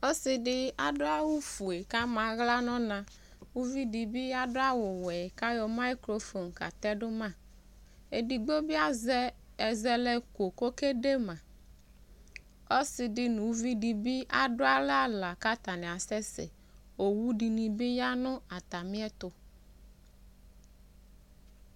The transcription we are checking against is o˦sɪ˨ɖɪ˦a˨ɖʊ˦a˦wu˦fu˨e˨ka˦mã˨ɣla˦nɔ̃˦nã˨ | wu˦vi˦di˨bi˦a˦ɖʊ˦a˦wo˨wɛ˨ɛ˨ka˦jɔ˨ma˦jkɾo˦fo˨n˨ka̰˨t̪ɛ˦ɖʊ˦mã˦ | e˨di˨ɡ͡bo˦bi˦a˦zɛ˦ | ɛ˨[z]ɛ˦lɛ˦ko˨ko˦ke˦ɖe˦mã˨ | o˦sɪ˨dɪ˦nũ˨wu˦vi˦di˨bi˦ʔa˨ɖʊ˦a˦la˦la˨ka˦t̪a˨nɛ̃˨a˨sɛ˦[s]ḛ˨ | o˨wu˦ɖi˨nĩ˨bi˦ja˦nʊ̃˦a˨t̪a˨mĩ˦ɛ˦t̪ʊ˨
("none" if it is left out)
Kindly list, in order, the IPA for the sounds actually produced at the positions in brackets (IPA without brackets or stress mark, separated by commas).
z, s